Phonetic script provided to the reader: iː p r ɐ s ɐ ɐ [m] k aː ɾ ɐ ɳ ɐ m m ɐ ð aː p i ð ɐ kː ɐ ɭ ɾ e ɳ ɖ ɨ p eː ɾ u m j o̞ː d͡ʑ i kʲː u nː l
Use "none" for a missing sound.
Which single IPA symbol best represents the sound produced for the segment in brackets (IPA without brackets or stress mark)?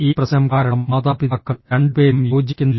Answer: m